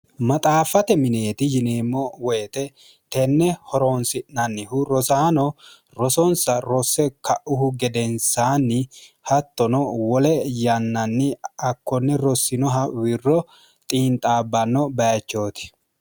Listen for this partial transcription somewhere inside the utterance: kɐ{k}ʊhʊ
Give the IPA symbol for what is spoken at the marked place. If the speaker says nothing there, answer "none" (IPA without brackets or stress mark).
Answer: ʔ